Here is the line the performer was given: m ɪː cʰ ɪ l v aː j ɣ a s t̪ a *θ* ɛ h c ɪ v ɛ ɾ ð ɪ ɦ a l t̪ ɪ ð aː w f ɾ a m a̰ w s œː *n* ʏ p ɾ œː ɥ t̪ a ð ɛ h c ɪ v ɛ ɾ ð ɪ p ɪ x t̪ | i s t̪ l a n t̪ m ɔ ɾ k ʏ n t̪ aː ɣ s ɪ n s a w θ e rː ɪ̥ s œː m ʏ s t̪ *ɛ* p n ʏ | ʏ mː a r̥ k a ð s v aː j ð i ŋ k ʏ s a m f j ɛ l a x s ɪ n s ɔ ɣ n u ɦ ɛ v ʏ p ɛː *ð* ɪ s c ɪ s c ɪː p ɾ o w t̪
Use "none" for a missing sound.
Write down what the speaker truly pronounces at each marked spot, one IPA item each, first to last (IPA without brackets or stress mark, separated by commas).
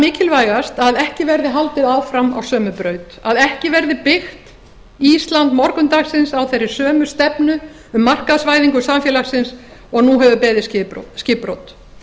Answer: ð, m, ɛ, ð